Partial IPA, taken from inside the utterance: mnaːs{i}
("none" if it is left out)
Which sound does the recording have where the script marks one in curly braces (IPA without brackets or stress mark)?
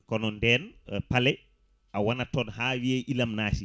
i